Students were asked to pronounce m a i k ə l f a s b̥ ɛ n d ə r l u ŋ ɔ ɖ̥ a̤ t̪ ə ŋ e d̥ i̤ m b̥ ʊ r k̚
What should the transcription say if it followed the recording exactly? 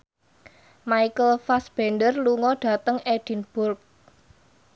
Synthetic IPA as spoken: m a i k ə l f a s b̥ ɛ n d ə r l u ŋ ɔ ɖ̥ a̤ t̪ ə ŋ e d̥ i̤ n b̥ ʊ r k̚